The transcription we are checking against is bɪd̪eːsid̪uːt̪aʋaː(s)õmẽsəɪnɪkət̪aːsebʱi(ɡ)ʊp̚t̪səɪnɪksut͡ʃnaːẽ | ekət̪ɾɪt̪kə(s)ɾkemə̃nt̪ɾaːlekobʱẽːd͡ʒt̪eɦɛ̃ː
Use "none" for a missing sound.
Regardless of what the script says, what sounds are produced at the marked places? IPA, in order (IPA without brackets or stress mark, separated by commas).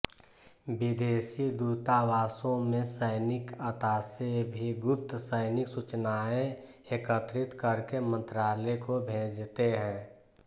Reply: s, ɡ, none